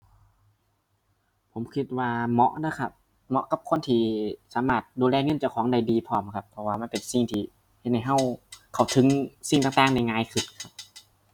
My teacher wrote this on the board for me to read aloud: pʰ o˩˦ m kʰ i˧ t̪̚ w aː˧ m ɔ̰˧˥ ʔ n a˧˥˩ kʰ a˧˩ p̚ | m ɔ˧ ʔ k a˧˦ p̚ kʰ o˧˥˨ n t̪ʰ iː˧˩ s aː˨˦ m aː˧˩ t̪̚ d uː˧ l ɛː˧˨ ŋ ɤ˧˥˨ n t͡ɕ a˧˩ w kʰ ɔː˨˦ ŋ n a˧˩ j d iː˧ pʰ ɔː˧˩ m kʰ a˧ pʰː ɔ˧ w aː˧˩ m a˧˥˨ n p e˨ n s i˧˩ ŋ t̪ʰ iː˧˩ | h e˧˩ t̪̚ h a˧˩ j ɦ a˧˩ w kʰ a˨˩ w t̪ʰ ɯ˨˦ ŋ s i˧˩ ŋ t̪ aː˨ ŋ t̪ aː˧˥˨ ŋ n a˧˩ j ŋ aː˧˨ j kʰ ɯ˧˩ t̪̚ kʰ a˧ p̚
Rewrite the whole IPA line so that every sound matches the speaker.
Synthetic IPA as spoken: pʰ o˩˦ m kʰ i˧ t̪̚ w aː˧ m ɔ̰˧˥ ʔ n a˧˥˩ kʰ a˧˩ p̚ | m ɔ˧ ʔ k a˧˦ p̚ kʰ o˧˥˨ n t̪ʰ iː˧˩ s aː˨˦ m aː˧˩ t̪̚ d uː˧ l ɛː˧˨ ŋ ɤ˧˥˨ n t͡ɕ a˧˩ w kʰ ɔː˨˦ ŋ d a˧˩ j d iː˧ pʰ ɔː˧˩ m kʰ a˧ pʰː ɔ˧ w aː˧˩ m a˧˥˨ n p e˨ n s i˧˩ ŋ t̪ʰ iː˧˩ | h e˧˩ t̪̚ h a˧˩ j ɦ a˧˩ w kʰ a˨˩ w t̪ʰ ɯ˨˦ ŋ s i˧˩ ŋ t̪ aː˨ ŋ t̪ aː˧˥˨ ŋ n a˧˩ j ŋ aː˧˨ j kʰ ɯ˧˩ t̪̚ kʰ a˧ p̚